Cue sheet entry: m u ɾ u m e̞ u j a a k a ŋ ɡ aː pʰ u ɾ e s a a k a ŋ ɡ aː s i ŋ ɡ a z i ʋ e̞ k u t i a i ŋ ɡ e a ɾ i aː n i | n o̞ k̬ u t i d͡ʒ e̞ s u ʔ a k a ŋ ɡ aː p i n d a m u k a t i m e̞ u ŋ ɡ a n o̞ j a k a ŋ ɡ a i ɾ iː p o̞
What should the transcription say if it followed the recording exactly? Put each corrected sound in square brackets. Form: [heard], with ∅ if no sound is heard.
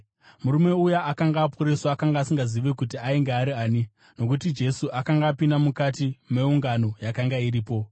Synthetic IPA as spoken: m u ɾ u m e̞ u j a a k a ŋ ɡ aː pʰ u ɾ e s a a k a ŋ ɡ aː s i ŋ ɡ a z i ʋ e̞ k u t i a i ŋ ɡ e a ɾ i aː n i | n o̞ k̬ u t i d͡ʒ e̞ s u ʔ a k a ŋ ɡ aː p i n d a m u k a t i m e̞ u ŋ ɡ a n o̞ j a k a ŋ ɡ a i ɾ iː p o̞